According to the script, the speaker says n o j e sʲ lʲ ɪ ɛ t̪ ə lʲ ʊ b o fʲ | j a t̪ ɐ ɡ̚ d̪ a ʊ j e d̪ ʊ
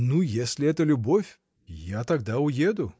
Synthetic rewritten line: n u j e sʲ lʲ ɪ ɛ t̪ ə lʲ ʊ b o fʲ | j a t̪ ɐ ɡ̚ d̪ a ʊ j e d̪ ʊ